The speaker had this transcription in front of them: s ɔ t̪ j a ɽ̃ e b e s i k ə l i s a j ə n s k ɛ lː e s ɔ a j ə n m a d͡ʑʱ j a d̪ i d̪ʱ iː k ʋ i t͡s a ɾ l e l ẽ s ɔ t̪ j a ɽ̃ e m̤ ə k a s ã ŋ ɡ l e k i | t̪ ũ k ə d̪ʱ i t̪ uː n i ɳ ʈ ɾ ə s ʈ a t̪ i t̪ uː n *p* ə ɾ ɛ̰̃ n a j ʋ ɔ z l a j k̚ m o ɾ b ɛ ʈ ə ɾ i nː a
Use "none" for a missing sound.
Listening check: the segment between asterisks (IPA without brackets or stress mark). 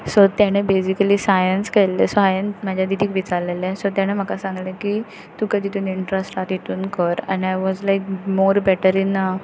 k